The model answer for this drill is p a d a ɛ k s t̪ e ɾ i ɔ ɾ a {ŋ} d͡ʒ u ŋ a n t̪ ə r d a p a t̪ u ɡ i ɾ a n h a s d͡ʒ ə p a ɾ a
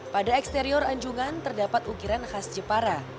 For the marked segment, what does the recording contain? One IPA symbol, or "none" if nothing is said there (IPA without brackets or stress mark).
ɲ